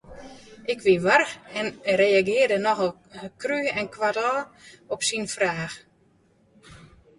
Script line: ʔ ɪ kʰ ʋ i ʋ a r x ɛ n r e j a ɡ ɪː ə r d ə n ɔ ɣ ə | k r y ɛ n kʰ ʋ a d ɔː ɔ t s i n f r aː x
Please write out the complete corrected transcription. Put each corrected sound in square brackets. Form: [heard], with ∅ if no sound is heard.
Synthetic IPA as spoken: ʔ ɪ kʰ ʋ i ʋ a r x ɛ n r e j a ɡ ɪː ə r d ə n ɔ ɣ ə | k r y ɛ n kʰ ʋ a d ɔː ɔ [p] s i n f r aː x